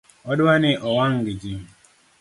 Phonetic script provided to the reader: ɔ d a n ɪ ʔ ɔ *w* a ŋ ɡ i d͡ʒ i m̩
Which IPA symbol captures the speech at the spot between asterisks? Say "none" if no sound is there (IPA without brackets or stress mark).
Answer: w